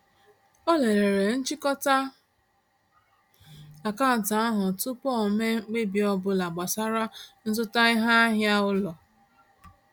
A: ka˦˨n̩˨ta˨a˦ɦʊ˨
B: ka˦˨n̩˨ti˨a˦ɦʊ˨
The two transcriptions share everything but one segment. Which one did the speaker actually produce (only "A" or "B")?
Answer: A